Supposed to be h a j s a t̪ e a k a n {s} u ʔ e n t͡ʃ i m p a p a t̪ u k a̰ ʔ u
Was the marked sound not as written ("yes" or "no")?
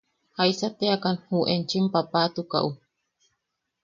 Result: yes